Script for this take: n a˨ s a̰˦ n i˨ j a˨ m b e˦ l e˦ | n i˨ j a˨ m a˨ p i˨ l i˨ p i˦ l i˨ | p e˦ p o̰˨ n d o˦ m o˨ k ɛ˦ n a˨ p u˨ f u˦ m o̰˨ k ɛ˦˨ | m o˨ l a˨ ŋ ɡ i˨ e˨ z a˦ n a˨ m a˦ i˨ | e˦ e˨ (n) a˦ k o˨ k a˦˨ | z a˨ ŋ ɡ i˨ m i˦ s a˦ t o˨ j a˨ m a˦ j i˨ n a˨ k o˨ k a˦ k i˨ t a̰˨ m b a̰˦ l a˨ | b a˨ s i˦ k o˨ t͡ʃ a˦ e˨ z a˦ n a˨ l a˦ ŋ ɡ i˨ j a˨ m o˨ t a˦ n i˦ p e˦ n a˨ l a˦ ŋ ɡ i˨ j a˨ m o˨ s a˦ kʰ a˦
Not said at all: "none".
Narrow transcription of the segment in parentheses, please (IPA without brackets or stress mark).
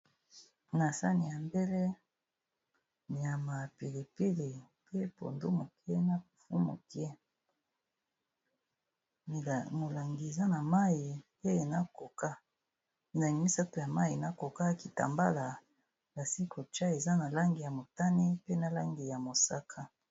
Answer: n